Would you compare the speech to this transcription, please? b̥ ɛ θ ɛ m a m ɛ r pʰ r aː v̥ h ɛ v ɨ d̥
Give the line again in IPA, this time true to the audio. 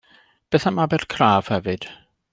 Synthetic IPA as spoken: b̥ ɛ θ a m a b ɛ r kʰ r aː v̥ h ɛ v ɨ d̥